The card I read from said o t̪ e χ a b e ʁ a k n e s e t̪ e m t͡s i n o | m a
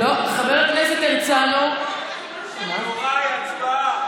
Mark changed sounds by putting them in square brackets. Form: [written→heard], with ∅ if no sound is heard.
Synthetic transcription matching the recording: o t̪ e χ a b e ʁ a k n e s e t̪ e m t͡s [i→a] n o | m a